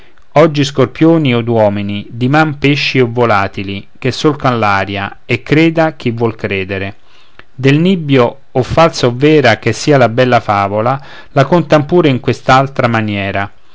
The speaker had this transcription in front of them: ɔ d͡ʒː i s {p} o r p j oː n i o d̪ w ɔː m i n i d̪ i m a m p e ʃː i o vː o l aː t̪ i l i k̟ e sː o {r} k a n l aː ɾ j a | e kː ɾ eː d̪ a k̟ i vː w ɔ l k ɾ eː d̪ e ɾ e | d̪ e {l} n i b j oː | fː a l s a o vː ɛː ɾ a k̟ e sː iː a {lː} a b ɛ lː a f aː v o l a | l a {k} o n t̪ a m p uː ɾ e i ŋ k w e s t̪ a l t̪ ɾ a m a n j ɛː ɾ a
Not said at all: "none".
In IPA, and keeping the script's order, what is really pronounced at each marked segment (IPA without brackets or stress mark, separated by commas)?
k, l, l, l, k